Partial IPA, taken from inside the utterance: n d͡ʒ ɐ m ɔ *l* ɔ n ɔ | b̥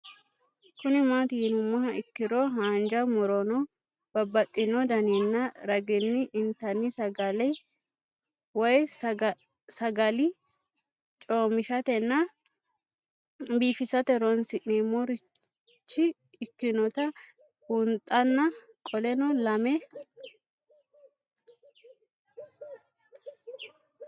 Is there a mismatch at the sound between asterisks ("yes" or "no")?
yes